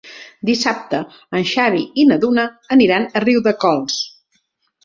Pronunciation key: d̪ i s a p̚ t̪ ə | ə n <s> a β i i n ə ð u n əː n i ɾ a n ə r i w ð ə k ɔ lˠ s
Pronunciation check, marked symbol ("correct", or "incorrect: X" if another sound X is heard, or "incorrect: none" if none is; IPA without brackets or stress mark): incorrect: ʃ